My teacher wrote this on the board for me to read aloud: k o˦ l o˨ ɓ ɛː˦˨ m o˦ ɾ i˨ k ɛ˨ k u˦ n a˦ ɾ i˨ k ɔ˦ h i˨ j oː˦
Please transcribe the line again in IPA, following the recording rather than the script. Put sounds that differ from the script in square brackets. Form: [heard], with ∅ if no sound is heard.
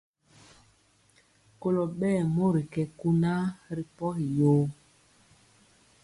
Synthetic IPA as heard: k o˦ l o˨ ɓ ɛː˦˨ m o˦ ɾ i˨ k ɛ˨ k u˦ n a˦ ɾ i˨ [p] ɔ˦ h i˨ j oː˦